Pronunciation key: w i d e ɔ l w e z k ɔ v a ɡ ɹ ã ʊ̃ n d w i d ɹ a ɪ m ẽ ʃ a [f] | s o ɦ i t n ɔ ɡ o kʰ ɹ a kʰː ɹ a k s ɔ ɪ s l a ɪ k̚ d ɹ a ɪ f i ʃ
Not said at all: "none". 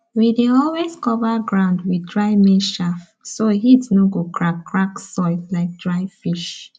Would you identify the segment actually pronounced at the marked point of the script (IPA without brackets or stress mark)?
f